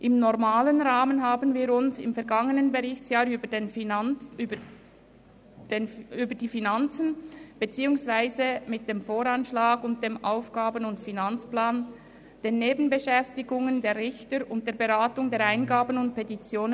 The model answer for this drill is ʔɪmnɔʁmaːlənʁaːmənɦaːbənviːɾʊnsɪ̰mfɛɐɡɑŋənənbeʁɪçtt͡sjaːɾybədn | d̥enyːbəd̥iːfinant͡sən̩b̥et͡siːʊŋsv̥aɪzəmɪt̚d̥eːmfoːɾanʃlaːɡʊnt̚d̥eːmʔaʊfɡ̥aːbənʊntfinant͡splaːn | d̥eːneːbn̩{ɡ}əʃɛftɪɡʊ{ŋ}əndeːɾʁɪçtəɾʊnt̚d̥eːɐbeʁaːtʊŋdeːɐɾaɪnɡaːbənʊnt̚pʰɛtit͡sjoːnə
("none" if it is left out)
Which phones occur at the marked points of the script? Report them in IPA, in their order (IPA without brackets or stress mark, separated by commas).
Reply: b, ŋ